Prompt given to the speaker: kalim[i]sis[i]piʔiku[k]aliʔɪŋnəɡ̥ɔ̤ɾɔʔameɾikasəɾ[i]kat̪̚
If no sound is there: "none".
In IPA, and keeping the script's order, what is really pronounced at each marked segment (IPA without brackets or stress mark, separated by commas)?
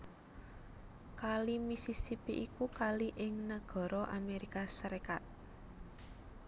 i, i, k, e